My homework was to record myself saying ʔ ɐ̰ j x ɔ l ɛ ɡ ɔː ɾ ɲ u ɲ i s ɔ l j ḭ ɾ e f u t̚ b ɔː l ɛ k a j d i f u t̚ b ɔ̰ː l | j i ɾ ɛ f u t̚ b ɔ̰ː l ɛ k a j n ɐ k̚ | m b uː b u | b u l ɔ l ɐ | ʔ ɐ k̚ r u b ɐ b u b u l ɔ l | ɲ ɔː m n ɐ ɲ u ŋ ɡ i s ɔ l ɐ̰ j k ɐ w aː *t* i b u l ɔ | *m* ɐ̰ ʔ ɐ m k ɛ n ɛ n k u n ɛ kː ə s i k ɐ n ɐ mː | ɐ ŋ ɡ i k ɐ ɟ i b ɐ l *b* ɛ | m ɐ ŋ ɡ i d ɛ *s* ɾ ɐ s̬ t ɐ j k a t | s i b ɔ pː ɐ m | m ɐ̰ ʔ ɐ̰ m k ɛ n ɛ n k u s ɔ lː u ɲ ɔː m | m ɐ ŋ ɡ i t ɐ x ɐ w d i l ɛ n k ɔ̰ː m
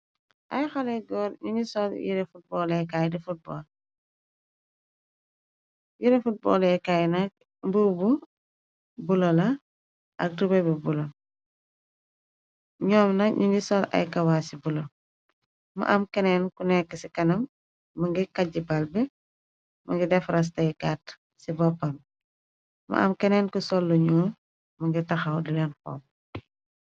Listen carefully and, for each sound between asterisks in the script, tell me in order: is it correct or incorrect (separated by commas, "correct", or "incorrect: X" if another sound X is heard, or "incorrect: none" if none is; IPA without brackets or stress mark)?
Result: incorrect: s, correct, correct, incorrect: f